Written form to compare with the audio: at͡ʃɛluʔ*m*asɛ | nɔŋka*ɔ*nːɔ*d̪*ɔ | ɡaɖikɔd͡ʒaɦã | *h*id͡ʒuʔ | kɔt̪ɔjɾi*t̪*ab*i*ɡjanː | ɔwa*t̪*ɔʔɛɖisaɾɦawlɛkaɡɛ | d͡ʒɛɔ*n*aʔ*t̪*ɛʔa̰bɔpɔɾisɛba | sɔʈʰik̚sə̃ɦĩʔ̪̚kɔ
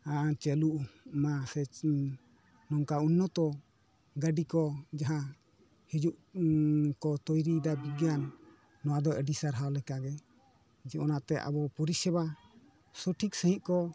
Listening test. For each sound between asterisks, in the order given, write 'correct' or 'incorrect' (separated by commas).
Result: correct, incorrect, incorrect, correct, incorrect, correct, incorrect, correct, correct